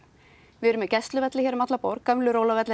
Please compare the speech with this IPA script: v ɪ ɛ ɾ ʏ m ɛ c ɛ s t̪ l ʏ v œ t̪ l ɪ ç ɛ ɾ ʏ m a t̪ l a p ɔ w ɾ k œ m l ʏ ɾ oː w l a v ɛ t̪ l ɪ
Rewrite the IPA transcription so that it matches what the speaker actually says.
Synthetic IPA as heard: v ɪ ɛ ɾ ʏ m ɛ c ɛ s t̪ l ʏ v ɛ t̪ l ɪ ç ɛ ɾ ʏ m a t̪ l a p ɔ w ɾ k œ m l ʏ ɾ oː w l a v ɛ t̪ l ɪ